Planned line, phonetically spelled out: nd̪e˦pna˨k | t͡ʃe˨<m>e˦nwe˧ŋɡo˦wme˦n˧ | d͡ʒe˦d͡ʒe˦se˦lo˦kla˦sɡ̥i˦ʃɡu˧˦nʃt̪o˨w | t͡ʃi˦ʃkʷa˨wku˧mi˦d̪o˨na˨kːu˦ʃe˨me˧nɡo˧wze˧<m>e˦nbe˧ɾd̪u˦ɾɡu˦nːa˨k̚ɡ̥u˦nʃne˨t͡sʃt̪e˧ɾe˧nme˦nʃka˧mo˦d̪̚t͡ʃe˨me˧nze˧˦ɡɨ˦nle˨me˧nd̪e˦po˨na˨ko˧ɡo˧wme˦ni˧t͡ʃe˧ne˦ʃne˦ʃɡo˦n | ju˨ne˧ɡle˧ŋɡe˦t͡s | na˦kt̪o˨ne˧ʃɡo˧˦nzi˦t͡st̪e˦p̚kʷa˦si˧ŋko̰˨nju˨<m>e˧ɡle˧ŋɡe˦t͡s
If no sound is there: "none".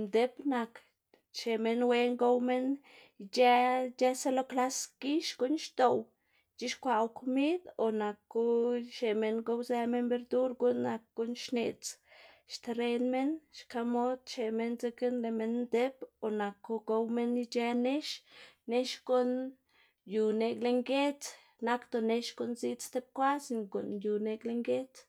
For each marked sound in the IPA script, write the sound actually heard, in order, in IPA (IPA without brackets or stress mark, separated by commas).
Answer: m, m, n